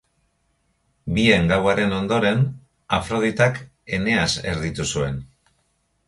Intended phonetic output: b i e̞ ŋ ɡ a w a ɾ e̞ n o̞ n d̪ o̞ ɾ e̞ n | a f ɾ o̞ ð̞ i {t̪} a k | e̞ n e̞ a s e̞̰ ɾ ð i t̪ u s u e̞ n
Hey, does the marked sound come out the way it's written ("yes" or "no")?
yes